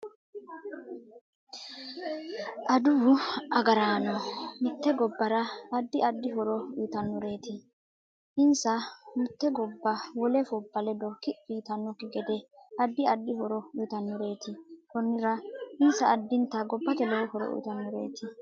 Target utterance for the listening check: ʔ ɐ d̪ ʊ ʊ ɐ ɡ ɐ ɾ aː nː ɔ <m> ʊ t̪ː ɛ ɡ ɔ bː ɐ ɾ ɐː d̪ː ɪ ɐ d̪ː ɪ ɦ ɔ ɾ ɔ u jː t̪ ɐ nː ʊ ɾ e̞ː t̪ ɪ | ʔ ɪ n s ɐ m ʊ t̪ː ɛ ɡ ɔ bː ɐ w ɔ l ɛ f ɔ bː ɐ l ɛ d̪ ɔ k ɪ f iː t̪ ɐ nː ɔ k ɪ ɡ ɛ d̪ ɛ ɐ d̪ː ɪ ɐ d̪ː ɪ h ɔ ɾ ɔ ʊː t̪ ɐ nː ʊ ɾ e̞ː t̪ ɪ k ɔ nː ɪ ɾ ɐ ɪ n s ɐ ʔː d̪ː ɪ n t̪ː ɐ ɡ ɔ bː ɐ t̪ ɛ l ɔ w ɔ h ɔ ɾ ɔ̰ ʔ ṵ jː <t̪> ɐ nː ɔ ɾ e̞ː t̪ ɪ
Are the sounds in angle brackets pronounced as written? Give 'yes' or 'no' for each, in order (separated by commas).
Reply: yes, yes